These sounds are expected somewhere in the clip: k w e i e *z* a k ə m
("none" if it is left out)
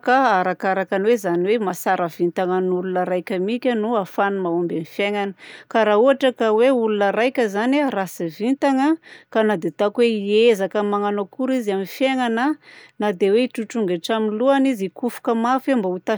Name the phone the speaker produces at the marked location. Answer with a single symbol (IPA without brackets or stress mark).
z